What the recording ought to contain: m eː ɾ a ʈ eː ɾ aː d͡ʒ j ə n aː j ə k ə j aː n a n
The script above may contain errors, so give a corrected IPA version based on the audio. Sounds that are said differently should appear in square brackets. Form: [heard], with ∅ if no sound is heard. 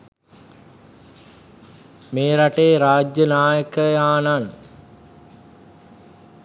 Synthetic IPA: m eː ɾ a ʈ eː ɾ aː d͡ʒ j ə n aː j ə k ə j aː n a n